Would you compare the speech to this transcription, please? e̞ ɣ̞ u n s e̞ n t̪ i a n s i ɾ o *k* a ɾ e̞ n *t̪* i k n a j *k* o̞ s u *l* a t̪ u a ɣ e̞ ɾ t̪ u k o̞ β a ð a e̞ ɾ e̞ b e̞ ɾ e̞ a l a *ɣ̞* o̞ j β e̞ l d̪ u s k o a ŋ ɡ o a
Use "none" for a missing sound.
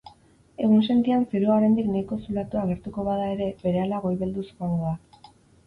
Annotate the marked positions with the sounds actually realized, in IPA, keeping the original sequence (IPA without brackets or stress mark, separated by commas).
none, d̪, k, l, ɣ̞